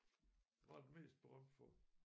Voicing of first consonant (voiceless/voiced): voiced